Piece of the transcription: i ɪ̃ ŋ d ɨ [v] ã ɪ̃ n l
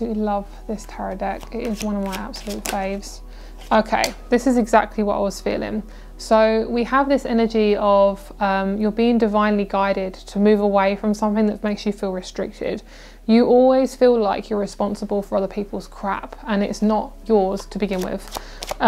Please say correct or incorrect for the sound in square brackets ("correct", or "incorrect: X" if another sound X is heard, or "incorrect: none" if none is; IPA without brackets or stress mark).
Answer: correct